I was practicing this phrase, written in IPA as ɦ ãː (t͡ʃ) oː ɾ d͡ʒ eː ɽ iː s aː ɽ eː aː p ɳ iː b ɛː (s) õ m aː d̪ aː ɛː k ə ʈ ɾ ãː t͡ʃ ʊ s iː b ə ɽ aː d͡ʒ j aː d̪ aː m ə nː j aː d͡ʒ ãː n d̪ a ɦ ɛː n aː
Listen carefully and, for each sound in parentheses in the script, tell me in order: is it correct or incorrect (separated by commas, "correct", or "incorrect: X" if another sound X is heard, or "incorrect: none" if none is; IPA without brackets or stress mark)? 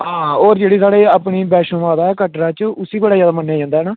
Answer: incorrect: none, incorrect: ʃ